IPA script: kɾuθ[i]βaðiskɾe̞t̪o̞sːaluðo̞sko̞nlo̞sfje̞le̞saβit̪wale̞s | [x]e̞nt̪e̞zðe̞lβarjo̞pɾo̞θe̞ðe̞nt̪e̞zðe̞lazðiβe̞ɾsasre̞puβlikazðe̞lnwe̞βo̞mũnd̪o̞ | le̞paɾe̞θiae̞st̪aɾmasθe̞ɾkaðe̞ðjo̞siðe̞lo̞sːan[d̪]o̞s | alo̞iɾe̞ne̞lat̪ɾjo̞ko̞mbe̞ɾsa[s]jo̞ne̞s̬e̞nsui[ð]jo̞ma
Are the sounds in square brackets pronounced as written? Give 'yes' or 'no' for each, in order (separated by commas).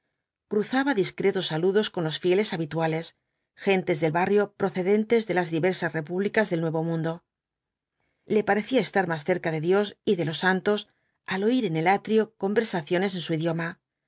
no, yes, no, no, yes